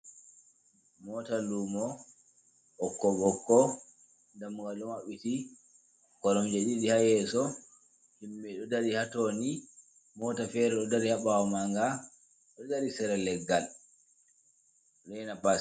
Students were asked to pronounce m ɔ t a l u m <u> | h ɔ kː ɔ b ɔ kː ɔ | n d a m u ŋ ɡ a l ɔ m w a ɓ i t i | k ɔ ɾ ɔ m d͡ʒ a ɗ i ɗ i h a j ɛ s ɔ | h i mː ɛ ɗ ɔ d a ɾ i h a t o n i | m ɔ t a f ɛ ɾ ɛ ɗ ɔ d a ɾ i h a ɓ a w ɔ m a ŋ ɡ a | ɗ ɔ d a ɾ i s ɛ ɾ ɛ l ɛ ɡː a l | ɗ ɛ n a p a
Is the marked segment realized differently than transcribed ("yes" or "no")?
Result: yes